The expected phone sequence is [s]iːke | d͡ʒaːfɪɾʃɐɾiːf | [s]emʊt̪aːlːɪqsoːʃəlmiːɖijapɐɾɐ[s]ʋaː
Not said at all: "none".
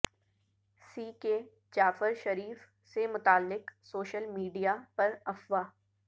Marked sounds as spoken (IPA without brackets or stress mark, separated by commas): s, s, f